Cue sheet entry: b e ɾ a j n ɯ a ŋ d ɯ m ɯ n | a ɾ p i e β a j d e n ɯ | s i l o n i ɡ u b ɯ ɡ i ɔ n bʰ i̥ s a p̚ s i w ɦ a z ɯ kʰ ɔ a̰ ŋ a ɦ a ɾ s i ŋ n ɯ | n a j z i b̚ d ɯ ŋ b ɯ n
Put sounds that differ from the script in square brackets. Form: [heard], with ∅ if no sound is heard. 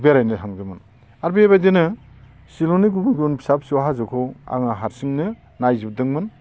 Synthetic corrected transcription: b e ɾ a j n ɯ a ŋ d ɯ m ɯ n | a ɾ [b] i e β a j d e n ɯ | s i l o n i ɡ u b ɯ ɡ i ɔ n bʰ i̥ s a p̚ s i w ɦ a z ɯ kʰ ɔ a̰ ŋ a ɦ a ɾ s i ŋ n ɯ | n a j z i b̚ d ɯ ŋ [m] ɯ n